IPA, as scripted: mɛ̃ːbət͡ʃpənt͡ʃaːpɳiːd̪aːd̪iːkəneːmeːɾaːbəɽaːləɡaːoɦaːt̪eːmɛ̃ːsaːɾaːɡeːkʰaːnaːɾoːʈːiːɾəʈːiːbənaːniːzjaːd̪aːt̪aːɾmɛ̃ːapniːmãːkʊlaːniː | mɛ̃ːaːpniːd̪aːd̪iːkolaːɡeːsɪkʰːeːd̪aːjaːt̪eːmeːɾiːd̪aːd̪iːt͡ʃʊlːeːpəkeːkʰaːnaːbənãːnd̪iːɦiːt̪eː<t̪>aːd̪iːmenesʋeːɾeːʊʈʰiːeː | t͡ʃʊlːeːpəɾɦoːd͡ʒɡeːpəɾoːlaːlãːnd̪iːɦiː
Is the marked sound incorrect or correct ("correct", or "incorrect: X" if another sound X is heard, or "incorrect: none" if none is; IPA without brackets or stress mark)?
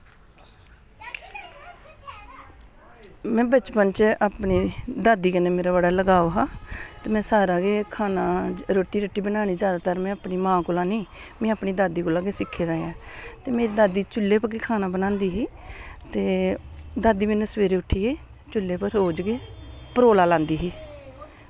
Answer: incorrect: d̪